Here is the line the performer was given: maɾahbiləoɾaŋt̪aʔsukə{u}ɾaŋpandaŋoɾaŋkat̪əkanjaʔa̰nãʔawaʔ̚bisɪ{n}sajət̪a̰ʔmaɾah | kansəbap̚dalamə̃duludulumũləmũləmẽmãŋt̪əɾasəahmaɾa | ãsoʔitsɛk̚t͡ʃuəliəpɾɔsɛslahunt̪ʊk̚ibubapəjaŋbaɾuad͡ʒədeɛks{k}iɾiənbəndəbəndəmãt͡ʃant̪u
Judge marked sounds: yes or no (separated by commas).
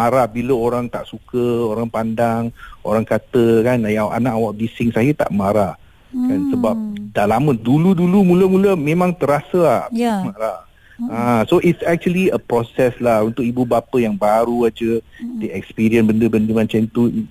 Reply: no, no, no